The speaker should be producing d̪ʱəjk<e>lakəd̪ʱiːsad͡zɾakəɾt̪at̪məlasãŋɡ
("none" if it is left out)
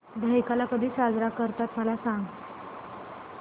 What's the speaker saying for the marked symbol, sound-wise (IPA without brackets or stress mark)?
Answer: a